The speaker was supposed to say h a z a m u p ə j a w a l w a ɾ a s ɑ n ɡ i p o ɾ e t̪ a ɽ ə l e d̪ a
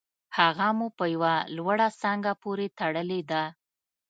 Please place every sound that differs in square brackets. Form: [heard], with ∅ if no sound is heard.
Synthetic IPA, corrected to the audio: h a [ɣ] a m u p ə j a w a l w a [ɽ] a s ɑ [ŋ] ɡ [a] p o ɾ e t̪ a ɽ ə l e d̪ a